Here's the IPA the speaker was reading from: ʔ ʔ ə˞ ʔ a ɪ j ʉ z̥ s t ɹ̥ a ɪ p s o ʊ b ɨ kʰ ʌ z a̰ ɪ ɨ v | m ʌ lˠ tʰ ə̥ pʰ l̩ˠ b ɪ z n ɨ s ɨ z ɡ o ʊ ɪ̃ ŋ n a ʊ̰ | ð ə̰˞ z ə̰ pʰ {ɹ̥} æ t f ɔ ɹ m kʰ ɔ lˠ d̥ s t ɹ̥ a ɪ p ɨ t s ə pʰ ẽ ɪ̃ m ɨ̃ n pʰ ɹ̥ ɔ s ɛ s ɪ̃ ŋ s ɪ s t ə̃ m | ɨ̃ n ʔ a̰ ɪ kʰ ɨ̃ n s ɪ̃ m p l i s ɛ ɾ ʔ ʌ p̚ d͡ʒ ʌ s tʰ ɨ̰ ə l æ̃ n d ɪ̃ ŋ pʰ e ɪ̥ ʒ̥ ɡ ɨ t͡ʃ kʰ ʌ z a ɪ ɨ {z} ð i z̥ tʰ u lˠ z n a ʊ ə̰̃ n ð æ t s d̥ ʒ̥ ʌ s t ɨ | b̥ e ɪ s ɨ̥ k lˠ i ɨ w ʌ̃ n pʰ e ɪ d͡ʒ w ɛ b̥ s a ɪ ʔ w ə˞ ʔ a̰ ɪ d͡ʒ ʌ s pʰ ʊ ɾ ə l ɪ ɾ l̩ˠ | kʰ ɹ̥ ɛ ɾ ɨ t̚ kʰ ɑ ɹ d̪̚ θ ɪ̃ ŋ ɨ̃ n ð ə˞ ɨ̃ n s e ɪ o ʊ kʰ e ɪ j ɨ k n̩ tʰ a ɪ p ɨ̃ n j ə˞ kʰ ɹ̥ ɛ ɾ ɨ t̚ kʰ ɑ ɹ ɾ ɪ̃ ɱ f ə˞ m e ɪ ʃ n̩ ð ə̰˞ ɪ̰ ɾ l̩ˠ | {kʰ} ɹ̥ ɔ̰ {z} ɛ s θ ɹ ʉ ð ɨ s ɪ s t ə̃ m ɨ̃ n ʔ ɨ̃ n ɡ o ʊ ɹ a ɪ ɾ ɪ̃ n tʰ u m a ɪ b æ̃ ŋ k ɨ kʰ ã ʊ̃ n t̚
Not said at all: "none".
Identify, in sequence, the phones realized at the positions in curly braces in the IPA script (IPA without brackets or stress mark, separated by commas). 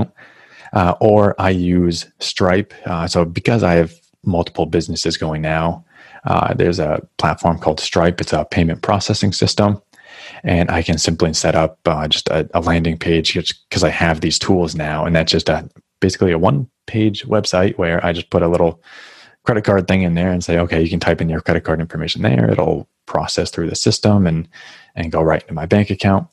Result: l̥, v, pʰ, s